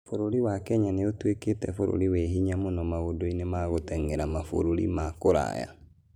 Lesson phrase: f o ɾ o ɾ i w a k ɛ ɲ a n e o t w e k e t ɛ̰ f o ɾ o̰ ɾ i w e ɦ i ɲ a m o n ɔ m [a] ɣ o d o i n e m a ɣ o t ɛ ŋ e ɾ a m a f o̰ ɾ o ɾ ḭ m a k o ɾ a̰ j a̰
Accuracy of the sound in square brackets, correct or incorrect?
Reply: correct